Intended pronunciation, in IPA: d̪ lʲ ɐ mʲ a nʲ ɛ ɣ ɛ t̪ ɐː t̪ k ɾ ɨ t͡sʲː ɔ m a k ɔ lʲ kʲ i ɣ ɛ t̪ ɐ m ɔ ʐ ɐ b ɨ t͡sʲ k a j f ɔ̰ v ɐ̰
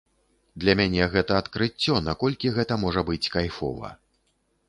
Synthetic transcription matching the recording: d̪ lʲ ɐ mʲ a nʲ ɛ ɣ ɛ t̪ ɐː t̪ k ɾ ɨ t͡sʲː ɔ n a k ɔ lʲ kʲ i ɣ ɛ t̪ ɐ m ɔ ʐ ɐ b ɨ t͡sʲ k a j f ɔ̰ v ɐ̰